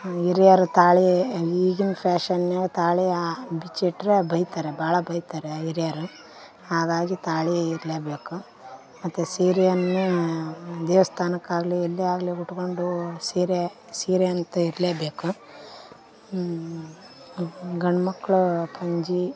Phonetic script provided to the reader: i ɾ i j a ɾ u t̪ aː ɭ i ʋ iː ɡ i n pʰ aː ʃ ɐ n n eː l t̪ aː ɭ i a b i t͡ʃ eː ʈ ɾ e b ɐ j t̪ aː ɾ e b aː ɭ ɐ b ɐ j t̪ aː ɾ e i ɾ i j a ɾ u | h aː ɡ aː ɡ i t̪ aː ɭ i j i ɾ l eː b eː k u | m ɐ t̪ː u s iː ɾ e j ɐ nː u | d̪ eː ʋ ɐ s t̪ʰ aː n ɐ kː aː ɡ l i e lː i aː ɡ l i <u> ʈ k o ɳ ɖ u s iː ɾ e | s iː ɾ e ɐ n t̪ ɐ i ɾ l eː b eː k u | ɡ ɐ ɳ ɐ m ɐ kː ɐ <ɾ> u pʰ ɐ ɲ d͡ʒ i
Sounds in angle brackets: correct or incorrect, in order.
correct, incorrect

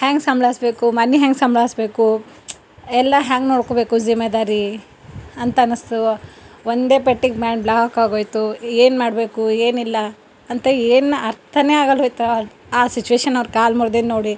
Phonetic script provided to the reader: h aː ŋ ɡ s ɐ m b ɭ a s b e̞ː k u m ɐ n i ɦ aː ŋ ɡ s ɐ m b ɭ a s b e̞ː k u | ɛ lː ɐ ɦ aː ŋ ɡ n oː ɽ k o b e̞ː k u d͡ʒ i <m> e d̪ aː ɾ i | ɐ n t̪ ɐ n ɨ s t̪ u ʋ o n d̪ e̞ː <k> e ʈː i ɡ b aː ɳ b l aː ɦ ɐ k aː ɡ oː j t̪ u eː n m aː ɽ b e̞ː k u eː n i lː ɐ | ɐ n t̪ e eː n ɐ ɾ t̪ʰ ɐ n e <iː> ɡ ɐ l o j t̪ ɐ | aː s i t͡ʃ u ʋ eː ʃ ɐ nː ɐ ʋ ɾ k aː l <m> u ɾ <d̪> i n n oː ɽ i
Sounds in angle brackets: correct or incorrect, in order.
correct, incorrect, incorrect, correct, correct

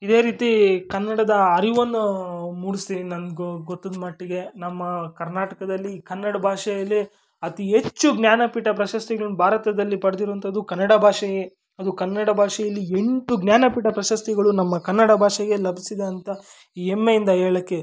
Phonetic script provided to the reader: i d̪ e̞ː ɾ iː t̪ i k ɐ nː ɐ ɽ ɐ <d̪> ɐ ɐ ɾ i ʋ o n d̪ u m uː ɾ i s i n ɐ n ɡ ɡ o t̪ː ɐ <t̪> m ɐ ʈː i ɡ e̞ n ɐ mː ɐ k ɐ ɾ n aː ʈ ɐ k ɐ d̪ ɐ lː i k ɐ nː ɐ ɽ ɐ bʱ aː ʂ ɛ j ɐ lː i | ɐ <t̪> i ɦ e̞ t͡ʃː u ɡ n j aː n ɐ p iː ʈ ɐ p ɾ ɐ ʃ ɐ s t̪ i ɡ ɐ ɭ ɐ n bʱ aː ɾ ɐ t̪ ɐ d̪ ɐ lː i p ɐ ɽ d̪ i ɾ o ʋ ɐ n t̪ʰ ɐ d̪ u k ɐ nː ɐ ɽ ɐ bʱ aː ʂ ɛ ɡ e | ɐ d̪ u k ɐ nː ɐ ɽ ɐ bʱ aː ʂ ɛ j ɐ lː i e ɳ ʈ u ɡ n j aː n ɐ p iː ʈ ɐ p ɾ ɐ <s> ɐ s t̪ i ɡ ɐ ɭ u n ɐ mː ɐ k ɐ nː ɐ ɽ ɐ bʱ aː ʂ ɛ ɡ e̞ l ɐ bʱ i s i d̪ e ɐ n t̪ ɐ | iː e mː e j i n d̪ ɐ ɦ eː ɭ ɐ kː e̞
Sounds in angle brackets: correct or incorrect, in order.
correct, incorrect, correct, incorrect

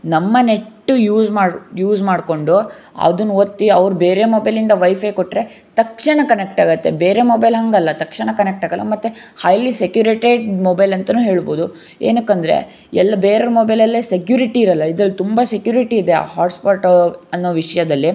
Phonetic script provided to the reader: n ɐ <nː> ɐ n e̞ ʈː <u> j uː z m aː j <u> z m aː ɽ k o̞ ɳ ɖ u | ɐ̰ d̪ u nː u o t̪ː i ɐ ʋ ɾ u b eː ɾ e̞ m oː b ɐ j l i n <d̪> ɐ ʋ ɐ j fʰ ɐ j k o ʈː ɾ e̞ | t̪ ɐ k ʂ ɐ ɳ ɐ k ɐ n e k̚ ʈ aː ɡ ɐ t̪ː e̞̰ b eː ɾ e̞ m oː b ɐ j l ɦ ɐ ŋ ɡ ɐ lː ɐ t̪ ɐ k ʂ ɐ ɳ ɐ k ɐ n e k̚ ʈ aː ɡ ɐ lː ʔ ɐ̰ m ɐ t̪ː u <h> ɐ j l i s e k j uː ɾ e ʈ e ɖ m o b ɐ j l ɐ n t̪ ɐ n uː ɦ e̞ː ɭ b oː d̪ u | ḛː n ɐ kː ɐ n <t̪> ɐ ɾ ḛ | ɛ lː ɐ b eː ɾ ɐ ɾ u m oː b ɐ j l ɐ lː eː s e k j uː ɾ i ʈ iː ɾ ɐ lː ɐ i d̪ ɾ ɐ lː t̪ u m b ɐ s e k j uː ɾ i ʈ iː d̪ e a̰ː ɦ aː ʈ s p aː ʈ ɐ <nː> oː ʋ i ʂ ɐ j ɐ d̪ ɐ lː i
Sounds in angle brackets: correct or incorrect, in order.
incorrect, correct, incorrect, correct, correct, incorrect, correct

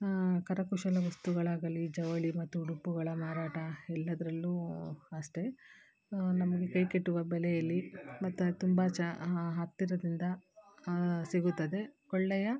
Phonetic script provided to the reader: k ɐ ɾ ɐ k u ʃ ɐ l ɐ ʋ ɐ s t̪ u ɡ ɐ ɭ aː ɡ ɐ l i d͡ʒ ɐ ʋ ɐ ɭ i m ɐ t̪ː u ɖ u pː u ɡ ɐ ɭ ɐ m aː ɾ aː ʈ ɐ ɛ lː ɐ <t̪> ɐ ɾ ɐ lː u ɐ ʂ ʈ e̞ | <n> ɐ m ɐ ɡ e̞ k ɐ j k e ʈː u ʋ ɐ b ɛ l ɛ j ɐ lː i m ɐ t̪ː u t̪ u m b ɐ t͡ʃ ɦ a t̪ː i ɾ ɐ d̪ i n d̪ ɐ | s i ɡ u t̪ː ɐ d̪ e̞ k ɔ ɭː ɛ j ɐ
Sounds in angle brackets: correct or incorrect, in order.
incorrect, correct

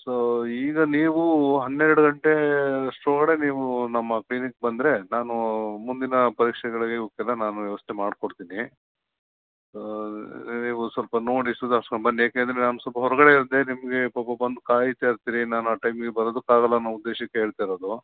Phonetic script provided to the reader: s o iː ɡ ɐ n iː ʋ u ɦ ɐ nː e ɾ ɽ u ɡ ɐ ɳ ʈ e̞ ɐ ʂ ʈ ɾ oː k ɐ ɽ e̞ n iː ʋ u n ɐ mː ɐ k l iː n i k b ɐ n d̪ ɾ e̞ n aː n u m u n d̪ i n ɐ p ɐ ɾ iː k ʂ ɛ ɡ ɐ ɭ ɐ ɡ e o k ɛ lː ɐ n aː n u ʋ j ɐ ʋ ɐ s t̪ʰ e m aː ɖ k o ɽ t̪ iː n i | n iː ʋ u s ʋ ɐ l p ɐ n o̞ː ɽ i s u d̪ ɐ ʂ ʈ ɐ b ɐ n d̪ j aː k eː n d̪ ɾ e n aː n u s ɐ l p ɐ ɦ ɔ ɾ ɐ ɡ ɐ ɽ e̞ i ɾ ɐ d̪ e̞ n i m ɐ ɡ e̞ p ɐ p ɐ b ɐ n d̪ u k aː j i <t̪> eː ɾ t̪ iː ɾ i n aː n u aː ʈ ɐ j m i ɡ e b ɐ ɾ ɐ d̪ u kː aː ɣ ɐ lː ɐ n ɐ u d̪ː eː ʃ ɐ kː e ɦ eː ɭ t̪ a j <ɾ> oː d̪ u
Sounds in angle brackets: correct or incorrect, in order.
correct, correct

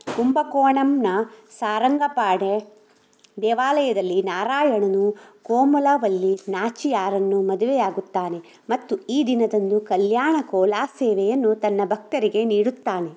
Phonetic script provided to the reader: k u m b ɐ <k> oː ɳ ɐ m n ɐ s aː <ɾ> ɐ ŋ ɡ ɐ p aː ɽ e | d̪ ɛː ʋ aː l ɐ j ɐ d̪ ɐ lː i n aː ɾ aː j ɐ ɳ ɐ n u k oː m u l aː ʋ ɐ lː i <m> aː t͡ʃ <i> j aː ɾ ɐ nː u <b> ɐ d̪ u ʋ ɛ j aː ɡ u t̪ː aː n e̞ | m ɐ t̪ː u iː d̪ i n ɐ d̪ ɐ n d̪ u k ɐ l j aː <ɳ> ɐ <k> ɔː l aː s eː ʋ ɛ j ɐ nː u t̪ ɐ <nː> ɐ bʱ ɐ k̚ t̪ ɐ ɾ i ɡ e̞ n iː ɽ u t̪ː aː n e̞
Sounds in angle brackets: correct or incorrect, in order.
correct, correct, incorrect, correct, incorrect, correct, correct, correct

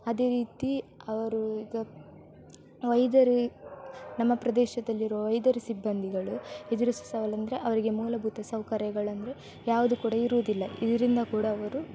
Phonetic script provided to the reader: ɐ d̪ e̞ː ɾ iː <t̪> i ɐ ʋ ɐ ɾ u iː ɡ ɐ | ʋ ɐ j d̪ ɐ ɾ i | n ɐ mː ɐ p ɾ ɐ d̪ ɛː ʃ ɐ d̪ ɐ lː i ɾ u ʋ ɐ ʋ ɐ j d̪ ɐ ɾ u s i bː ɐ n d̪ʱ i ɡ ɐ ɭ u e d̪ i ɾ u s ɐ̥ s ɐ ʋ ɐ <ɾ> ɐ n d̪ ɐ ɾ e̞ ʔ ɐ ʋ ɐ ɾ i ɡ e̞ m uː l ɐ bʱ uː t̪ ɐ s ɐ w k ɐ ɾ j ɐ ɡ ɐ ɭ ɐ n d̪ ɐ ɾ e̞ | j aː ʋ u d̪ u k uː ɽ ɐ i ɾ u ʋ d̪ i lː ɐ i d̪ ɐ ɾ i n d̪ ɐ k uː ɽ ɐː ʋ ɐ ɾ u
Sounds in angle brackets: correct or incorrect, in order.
correct, incorrect

